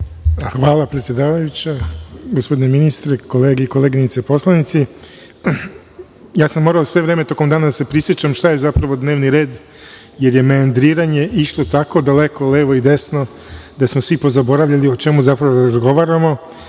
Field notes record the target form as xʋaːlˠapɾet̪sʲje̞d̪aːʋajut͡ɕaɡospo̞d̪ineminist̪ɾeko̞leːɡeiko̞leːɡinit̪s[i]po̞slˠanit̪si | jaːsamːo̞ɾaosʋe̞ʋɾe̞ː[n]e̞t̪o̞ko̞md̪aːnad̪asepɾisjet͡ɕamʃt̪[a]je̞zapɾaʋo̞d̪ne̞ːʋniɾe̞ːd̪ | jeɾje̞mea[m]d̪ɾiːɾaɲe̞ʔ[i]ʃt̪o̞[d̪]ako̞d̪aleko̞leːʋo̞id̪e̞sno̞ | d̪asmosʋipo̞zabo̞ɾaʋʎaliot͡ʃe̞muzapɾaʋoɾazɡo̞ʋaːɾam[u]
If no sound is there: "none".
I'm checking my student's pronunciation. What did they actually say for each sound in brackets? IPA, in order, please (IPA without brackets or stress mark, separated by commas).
e, m, a, n, i, t̪, o